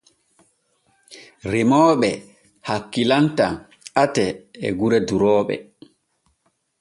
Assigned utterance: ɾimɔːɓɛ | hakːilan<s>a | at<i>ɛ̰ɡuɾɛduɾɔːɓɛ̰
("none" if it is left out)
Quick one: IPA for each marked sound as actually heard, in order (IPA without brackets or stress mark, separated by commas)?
t, ɛ